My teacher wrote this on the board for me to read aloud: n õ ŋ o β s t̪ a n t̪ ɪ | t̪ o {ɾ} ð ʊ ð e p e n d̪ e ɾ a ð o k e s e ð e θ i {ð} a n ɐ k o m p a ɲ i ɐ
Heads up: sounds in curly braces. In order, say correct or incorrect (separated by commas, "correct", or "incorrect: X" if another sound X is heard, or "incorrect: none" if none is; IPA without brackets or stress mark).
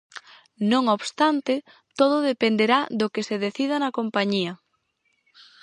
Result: incorrect: none, correct